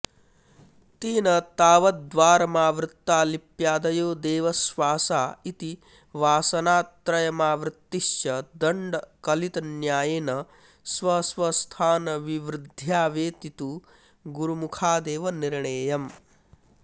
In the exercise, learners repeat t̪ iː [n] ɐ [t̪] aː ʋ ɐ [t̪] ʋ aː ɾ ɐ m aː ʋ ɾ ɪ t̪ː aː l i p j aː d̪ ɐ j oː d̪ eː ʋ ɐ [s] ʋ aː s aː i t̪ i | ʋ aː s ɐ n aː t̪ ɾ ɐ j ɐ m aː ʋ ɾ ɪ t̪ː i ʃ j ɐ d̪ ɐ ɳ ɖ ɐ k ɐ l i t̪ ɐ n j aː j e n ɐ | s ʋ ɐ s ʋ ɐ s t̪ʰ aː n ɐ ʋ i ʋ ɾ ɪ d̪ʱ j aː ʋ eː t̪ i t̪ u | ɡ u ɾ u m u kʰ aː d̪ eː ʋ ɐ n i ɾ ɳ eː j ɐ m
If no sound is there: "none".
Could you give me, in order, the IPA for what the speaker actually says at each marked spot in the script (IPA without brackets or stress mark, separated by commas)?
n, t̪, d̪, s